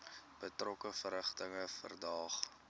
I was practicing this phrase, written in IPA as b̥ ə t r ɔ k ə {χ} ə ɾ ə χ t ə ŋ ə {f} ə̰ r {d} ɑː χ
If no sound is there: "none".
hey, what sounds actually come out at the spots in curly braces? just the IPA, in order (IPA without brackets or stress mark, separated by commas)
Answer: f, f, d